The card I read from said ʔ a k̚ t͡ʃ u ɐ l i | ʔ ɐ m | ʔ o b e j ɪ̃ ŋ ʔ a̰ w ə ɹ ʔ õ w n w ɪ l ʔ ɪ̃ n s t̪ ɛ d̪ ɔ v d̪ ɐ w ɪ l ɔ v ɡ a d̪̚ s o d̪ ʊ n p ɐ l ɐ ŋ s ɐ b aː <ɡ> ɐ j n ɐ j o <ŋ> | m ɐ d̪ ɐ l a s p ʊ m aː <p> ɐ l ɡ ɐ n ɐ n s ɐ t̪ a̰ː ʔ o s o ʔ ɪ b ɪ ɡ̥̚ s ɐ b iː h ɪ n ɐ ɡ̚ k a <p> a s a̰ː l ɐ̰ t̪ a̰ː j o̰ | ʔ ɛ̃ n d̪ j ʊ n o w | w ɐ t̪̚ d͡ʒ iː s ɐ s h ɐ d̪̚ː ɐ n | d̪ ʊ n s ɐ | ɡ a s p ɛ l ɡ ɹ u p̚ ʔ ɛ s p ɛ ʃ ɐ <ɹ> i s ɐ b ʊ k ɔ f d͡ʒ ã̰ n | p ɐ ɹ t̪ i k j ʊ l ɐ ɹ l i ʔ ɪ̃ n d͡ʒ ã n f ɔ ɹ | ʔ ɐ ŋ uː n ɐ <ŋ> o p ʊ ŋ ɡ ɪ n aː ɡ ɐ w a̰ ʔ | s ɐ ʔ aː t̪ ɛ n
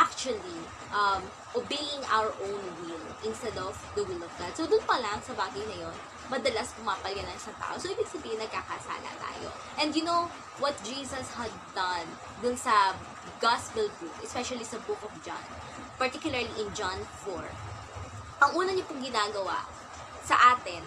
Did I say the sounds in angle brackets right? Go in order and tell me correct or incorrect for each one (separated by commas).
correct, incorrect, correct, incorrect, incorrect, incorrect